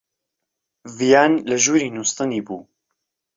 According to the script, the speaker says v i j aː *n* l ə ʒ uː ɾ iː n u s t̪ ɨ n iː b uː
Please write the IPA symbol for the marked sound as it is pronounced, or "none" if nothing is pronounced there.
n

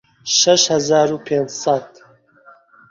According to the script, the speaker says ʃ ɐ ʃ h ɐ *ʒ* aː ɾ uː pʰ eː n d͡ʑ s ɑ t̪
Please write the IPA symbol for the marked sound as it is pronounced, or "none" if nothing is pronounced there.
z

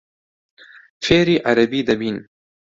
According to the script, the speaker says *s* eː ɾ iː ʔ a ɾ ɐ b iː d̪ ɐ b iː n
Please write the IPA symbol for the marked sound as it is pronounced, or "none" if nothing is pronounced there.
f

